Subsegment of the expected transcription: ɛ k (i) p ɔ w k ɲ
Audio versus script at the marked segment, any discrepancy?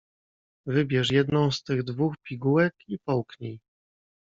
no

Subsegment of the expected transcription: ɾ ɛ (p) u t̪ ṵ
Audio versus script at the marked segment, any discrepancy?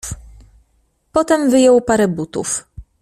yes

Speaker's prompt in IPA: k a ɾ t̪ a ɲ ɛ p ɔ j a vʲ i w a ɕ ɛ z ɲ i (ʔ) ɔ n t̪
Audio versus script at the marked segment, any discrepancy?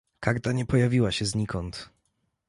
yes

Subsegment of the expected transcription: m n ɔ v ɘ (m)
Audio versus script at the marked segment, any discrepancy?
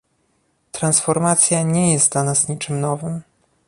no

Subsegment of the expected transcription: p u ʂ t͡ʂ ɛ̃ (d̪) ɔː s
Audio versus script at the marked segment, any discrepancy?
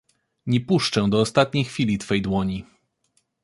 no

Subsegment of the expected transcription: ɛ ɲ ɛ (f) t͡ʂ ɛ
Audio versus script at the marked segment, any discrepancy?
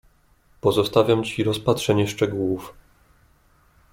yes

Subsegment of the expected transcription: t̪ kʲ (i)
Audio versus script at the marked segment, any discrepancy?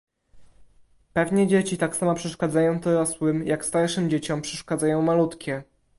yes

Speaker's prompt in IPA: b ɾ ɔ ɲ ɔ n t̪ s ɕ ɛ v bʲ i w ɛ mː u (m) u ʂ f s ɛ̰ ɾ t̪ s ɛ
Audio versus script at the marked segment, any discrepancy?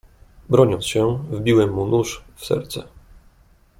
yes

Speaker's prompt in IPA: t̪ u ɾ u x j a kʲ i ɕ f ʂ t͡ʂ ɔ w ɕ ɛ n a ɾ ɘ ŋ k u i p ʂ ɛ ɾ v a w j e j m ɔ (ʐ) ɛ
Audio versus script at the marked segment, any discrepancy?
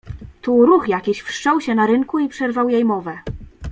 yes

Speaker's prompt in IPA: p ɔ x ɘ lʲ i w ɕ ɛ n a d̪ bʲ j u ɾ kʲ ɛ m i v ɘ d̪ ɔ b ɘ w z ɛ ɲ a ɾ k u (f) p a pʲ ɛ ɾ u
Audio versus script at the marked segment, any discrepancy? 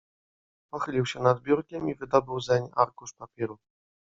yes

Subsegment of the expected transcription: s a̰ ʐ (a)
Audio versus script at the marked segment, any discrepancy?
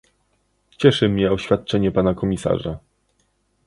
no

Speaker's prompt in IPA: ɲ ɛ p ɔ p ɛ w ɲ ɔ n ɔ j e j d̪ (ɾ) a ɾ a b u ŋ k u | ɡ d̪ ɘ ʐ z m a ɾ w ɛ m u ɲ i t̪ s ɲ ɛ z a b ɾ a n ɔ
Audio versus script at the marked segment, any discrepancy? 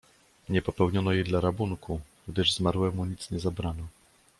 yes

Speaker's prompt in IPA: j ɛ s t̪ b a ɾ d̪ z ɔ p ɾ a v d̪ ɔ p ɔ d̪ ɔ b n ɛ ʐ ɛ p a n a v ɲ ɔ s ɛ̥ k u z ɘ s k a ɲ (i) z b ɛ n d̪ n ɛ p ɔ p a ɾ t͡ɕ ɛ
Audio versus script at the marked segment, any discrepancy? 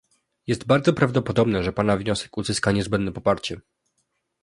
yes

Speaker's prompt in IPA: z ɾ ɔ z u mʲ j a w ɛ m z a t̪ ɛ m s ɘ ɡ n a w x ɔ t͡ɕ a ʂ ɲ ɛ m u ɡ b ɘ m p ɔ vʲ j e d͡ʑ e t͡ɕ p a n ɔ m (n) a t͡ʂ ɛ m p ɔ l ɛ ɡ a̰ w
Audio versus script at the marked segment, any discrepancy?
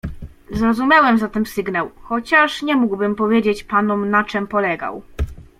no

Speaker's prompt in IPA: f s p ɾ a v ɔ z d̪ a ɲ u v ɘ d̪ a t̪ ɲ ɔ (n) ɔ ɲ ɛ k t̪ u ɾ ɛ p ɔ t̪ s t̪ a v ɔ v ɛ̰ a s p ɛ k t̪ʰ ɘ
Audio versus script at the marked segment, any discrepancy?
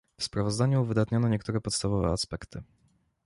no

